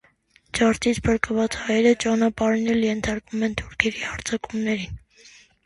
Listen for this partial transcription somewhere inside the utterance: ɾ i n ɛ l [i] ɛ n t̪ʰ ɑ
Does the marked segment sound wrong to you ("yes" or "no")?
yes